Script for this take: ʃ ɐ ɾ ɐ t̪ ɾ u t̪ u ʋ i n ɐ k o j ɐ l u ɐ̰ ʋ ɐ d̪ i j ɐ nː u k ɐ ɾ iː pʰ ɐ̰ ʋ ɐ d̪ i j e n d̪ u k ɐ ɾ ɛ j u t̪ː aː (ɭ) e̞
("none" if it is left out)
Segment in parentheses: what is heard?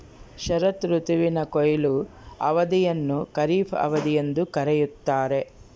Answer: ɾ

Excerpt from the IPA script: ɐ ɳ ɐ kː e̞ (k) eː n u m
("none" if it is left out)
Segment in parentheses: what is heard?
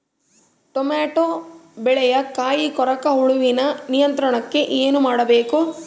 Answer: ʔ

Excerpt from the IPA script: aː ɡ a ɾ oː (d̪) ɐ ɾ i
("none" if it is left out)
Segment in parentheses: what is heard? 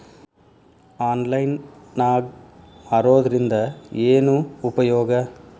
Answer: d̪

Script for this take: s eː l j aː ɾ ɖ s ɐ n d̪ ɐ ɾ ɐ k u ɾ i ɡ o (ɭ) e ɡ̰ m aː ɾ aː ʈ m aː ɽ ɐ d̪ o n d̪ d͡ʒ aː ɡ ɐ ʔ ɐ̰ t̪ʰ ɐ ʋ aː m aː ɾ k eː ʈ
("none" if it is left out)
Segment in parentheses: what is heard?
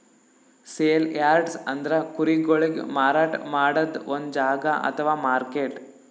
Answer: ɭ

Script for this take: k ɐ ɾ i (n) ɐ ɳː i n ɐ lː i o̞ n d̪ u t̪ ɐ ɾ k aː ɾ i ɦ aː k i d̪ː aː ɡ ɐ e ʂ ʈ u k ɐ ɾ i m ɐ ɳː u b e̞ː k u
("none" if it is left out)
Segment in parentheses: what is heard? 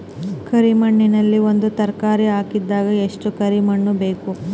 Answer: m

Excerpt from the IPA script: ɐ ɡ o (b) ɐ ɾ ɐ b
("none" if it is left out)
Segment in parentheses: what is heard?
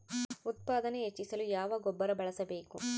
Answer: bː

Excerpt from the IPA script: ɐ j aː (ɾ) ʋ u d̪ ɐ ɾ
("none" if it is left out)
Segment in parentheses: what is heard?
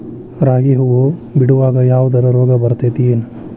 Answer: none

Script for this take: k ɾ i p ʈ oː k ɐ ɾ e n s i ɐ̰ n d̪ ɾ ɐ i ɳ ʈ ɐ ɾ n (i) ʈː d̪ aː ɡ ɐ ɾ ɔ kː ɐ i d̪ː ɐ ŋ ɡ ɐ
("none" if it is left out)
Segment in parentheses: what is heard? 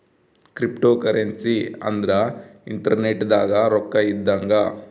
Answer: e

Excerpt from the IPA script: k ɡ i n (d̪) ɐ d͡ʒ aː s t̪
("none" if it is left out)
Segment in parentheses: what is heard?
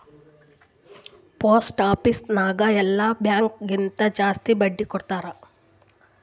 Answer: t̪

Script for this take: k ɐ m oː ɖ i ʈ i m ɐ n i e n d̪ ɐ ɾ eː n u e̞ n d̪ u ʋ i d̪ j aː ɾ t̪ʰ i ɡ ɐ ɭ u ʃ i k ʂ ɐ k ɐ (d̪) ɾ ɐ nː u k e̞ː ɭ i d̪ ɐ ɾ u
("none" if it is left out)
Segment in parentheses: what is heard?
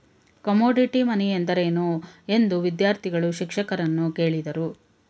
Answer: none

